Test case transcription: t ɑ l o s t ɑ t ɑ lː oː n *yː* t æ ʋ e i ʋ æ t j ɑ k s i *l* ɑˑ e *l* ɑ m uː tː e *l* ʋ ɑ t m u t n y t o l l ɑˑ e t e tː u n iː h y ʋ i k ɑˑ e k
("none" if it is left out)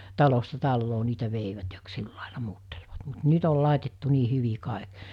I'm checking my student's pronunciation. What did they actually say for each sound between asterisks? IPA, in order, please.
iː, lː, l, l

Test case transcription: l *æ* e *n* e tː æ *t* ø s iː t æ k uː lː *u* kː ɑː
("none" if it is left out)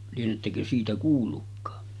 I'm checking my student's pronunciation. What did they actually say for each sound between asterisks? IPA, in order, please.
i, n, k, u

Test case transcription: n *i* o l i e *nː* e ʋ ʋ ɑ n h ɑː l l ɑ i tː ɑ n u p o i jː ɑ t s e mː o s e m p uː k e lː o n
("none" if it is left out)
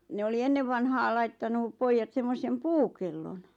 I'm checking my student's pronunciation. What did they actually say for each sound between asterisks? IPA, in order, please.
e, nː

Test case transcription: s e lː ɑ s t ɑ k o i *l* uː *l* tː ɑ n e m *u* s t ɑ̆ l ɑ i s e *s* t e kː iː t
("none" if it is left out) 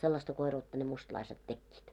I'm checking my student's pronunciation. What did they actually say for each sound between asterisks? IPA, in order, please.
r, none, u, t

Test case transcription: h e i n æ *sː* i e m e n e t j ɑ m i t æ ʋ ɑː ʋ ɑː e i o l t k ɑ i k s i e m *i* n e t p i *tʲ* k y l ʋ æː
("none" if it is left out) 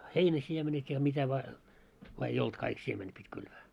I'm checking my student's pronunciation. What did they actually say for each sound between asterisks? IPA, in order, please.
s, e, tʲ

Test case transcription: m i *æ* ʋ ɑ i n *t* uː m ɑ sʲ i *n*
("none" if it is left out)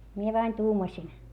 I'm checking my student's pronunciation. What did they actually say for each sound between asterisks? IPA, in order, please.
e, t, n

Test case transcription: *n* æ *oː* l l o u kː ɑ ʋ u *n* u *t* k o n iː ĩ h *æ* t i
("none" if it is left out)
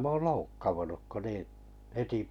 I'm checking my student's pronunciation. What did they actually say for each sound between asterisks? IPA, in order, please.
m, oː, n, k, e

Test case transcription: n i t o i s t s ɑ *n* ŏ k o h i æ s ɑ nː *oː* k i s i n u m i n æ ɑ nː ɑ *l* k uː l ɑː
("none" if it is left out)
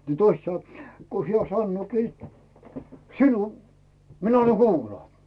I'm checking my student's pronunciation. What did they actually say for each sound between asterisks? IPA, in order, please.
n, oː, none

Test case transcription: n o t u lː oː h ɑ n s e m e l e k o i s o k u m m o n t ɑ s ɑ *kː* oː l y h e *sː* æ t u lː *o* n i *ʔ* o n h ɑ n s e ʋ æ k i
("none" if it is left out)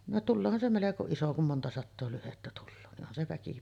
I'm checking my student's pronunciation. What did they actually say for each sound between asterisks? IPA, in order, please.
tː, tː, oː, ʔ

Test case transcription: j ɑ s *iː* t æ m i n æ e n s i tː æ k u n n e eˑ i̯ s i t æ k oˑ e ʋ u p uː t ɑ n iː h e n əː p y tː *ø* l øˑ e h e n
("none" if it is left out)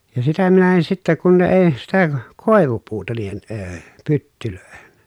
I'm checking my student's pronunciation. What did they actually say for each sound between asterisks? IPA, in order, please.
i, y

